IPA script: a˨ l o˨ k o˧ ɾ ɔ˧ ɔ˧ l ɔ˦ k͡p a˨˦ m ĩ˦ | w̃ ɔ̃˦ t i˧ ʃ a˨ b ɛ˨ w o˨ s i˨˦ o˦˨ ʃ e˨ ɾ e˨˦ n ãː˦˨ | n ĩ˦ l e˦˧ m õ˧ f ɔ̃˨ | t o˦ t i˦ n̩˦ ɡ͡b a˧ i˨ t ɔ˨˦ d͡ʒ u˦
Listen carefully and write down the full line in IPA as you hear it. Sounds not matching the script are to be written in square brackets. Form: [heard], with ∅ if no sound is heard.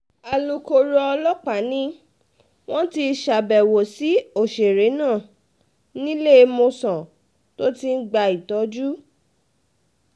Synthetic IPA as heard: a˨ l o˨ k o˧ ɾ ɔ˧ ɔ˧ l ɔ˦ k͡p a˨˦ [n] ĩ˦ | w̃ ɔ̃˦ t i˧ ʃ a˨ b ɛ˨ w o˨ s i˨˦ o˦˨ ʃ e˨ ɾ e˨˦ n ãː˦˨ | n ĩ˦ l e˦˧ m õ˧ [s] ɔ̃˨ | t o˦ t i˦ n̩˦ ɡ͡b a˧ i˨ t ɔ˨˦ d͡ʒ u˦